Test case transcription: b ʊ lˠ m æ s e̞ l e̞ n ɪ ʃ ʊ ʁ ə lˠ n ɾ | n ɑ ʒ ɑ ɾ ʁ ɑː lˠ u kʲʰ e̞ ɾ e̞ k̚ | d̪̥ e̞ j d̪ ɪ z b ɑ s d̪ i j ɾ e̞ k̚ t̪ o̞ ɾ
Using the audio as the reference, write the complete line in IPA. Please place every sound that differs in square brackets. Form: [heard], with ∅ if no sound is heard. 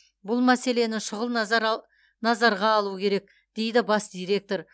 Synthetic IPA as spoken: b ʊ lˠ m æ s e̞ l e̞ n ɪ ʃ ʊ ʁ ə lˠ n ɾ | n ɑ [z] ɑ ɾ ʁ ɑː lˠ u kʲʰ e̞ ɾ e̞ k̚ | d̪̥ e̞ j d̪ ɪ [∅] b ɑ s d̪ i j ɾ e̞ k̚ t̪ o̞ ɾ